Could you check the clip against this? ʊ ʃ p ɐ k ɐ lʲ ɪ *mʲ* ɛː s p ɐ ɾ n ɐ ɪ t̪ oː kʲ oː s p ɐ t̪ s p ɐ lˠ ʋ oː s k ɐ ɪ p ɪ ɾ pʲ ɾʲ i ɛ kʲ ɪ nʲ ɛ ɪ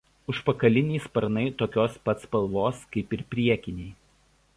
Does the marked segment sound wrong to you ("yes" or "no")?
yes